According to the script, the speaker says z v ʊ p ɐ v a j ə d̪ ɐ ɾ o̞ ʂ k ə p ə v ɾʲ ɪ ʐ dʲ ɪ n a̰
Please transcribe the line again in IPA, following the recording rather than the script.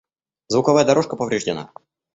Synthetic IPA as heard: z v ʊ k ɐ v a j ə d̪ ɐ ɾ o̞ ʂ k ə p ə v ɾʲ ɪ ʐ dʲ ɪ n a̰